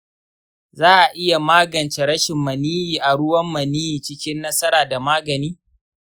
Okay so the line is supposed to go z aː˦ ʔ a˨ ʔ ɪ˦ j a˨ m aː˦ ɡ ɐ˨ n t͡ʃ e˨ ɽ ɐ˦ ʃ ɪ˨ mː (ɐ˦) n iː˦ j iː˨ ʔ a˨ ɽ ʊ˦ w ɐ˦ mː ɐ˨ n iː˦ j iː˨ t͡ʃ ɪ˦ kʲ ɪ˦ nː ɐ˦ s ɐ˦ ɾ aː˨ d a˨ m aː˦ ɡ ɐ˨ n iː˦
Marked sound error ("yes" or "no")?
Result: yes